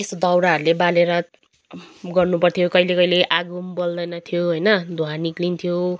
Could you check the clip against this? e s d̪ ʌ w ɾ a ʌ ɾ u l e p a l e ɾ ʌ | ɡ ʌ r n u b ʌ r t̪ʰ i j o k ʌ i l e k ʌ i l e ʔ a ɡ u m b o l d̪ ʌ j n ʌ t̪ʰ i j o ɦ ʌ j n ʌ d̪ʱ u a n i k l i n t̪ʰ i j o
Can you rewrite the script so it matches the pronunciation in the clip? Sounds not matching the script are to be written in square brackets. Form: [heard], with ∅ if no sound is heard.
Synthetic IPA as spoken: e s d̪ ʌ w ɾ a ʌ ɾ u l e [b] a l e ɾ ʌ | ɡ ʌ r n u [p] ʌ r t̪ʰ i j o k ʌ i l e k ʌ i l e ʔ a ɡ u m b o l d̪ ʌ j n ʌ t̪ʰ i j o ɦ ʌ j n ʌ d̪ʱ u a n i k l i n t̪ʰ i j o